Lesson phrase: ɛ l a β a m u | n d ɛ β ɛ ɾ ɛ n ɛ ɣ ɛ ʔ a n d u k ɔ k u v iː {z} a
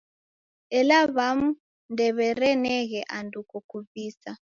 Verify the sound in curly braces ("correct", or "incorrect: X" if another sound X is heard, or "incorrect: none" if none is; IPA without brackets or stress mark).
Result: incorrect: s